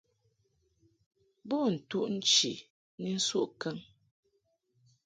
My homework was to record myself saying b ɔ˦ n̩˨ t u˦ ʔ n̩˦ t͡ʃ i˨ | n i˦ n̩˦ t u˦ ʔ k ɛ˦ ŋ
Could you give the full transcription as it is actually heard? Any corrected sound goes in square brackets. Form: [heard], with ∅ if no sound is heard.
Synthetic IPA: b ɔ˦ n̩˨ t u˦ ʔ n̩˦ t͡ʃ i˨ | n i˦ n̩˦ [s] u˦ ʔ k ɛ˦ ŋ